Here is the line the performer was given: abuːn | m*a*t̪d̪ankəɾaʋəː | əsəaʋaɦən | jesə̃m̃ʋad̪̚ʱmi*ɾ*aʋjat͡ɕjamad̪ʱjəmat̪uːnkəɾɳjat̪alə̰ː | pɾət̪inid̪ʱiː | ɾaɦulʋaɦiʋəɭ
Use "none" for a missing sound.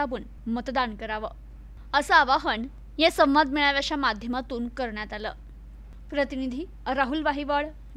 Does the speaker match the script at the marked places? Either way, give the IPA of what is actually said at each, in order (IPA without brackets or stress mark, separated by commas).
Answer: ə, ɭ